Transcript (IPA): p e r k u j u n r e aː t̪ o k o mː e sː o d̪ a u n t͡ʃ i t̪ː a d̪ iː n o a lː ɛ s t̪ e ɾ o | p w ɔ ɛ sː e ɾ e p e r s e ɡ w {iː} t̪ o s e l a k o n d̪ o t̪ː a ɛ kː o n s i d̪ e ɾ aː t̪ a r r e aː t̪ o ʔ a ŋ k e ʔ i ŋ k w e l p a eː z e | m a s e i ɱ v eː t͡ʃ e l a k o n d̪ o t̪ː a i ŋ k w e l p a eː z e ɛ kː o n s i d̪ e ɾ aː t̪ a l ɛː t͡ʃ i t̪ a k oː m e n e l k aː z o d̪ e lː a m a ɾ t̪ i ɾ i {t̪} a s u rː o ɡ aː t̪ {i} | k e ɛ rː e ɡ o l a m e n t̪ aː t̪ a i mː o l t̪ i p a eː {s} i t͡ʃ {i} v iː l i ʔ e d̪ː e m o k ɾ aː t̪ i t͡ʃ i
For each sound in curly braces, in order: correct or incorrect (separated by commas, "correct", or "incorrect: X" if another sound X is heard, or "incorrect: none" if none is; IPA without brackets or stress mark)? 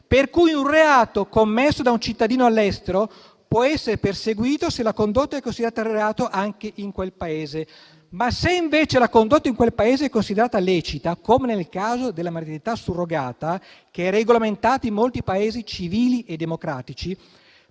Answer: correct, correct, incorrect: a, incorrect: z, correct